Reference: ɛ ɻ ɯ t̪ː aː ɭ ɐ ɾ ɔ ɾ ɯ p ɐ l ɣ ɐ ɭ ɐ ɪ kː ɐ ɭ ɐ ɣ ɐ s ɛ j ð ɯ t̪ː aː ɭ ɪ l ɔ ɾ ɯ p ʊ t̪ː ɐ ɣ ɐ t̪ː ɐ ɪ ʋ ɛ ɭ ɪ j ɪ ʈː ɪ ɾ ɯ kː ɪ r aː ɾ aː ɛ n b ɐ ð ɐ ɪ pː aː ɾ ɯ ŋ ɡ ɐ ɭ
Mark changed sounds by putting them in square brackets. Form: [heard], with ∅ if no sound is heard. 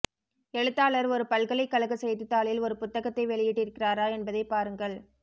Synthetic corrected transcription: ɛ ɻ ɯ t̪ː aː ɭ ɐ ɾ ɔ ɾ ɯ p ɐ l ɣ ɐ ɭ ɐ ɪ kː ɐ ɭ ɐ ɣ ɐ s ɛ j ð ɯ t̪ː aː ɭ ɪ l ɔ ɾ ɯ p ʊ t̪ː ɐ ɣ ɐ t̪ː ɐ ɪ ʋ ɛ ɭ ɪ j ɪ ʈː ɪ ɾ ɯ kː ɪ r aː ɾ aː ɛ n b ɐ ð ɐ ɪ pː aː ɾ ɯ ŋ ɡ ɐ ɭ